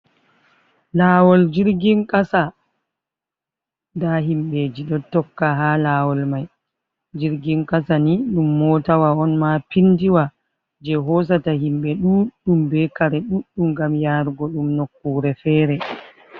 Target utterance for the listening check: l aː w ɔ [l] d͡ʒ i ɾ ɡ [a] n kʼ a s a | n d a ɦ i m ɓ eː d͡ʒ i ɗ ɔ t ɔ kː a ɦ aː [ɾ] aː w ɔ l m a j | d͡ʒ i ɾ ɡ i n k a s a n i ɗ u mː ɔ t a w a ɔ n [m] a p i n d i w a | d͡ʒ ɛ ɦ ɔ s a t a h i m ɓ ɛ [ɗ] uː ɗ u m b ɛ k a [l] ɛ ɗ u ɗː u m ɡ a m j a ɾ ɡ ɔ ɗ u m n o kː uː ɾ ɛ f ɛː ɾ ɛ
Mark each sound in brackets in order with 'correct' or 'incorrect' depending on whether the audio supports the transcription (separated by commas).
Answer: correct, incorrect, incorrect, correct, correct, incorrect